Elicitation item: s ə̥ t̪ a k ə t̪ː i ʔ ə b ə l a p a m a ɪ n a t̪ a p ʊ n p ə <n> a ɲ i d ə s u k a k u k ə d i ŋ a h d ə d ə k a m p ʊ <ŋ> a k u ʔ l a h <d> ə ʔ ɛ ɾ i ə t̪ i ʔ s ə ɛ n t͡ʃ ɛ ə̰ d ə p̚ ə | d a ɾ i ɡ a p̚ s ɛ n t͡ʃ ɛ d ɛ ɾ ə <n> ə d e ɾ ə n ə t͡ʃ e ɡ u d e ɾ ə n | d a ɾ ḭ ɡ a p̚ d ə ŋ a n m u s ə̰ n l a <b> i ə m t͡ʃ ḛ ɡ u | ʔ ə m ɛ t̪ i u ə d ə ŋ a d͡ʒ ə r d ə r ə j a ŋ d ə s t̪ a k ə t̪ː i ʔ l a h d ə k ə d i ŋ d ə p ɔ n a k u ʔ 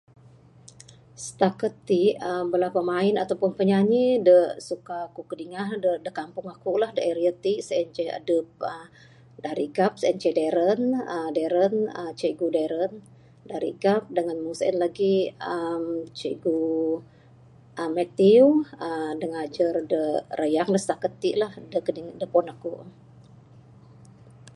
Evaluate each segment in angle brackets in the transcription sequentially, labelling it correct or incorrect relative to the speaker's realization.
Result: incorrect: ɲ, correct, correct, correct, incorrect: ɡ

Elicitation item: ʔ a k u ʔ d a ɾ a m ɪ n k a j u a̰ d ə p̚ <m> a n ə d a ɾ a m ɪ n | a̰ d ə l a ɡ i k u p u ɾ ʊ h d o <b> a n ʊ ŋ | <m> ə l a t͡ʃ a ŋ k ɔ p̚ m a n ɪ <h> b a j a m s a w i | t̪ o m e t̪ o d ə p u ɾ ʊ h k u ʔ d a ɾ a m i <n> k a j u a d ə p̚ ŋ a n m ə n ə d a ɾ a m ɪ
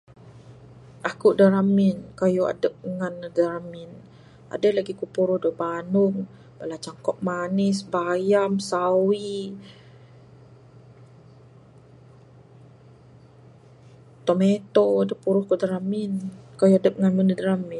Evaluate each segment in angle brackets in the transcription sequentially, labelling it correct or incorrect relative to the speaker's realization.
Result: incorrect: ŋ, correct, incorrect: b, incorrect: s, correct

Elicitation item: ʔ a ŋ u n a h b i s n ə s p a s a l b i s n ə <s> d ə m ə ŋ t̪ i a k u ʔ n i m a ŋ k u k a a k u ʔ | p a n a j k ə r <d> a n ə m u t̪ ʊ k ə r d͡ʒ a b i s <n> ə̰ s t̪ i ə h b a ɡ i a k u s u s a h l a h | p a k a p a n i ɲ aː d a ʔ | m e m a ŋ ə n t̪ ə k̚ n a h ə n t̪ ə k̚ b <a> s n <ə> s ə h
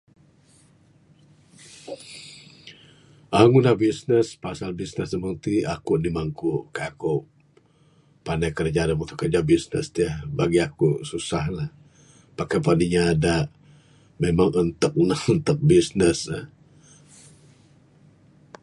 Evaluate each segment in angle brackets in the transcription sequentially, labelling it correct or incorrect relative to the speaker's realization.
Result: correct, incorrect: d͡ʒ, correct, incorrect: i, correct

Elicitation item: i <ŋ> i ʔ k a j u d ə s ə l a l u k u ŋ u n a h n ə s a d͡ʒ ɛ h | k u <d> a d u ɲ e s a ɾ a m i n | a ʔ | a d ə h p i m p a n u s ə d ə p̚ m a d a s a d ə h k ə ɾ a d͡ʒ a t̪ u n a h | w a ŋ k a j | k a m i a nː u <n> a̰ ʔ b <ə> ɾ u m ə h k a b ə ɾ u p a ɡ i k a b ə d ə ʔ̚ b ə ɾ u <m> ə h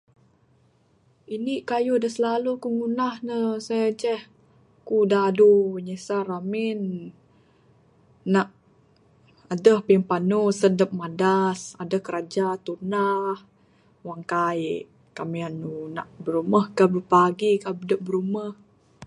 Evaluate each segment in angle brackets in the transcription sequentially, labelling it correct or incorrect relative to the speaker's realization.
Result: incorrect: n, correct, correct, correct, correct

